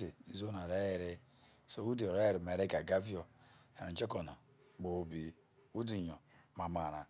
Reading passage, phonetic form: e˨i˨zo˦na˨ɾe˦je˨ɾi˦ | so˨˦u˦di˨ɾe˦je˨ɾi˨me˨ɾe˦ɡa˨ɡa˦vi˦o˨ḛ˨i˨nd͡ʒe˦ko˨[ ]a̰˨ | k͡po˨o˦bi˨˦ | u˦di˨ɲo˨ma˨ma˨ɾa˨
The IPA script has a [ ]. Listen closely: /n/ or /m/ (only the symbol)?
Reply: n